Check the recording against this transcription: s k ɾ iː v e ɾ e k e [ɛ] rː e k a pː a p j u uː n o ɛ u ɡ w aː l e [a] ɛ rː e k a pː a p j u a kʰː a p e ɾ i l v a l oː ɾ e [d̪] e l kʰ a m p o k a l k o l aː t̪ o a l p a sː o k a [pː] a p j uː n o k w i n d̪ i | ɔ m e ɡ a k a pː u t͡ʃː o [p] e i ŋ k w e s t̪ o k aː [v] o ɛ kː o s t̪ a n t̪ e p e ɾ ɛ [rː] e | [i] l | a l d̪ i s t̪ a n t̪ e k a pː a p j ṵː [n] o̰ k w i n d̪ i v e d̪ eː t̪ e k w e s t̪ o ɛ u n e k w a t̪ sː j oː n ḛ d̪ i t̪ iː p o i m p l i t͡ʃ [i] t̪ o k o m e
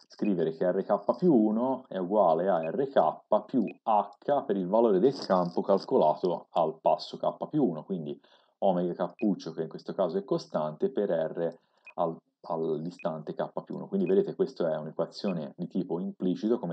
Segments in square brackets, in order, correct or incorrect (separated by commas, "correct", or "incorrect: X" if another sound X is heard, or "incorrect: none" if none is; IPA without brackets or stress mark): correct, correct, correct, correct, incorrect: k, incorrect: z, correct, incorrect: a, correct, correct